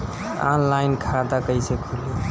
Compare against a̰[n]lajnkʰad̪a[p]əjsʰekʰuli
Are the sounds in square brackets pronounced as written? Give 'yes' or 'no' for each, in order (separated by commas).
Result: yes, no